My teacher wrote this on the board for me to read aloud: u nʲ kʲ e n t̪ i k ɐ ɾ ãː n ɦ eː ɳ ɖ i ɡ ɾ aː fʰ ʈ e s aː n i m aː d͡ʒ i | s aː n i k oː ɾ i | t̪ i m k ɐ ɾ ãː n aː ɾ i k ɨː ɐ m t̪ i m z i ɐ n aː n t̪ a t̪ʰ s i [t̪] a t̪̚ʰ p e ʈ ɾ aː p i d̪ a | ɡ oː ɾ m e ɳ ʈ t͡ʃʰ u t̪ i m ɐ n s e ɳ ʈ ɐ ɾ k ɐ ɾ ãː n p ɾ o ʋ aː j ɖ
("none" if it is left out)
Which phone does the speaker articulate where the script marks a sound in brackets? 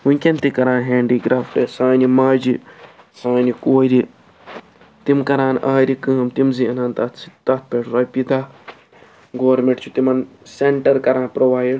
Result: t̪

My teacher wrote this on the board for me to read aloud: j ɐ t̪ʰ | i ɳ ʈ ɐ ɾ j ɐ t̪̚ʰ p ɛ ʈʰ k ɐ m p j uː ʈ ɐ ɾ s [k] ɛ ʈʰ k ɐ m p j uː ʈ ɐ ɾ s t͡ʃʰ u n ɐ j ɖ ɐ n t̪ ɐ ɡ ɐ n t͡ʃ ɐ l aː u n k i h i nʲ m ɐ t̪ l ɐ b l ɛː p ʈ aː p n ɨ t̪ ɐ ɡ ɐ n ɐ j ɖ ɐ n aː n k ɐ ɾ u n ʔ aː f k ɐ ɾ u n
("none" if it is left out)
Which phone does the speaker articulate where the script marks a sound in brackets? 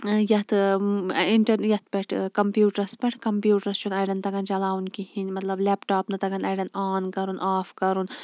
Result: p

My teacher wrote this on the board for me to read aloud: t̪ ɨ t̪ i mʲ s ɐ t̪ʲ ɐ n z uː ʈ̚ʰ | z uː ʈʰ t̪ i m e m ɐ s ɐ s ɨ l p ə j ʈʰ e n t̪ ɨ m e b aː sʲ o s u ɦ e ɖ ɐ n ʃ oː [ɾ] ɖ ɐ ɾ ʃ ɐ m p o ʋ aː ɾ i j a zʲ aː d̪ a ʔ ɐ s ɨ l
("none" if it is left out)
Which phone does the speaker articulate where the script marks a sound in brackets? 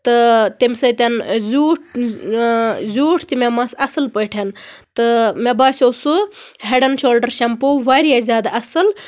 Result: l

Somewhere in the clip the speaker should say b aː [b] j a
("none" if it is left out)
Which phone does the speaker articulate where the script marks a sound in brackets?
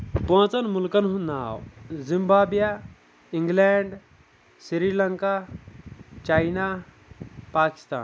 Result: b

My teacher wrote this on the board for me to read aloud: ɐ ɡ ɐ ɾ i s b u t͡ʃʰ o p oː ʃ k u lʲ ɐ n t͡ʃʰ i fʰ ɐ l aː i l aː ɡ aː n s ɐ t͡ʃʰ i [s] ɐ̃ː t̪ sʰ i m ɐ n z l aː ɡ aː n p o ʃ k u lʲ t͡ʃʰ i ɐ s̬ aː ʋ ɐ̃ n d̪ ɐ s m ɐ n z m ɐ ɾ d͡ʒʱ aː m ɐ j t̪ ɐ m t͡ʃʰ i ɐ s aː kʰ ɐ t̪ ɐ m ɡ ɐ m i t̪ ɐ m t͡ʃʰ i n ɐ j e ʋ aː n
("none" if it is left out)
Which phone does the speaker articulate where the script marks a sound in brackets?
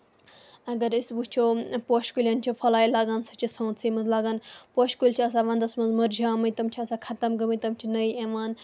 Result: s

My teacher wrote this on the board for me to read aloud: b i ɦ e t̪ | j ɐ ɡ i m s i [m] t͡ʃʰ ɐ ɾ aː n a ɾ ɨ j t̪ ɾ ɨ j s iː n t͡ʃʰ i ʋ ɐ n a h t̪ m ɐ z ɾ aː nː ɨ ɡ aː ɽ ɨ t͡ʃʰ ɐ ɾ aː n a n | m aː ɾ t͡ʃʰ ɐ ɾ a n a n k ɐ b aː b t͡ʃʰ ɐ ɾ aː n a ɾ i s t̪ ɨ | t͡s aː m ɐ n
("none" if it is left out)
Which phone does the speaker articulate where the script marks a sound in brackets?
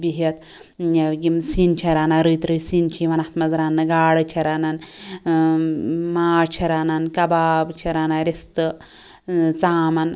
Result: n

